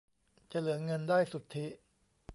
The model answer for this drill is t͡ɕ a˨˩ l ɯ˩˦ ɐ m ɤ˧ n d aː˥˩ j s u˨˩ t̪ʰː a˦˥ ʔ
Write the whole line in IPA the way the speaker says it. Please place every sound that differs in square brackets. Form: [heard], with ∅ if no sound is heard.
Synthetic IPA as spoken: t͡ɕ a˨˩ l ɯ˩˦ ɐ [ŋ] ɤ˧ n d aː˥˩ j s u˨˩ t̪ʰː [i˦˥] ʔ